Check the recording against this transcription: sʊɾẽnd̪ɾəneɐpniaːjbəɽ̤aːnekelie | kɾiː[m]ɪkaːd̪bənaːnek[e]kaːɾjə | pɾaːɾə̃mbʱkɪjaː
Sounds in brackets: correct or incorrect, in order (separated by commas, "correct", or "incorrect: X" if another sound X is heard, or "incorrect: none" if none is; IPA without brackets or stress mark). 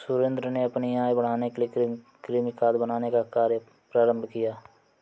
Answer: correct, incorrect: a